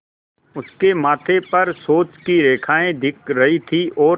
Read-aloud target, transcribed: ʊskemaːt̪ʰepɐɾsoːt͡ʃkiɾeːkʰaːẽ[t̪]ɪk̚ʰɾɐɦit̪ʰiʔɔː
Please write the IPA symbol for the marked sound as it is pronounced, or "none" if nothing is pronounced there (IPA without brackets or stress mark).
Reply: d̪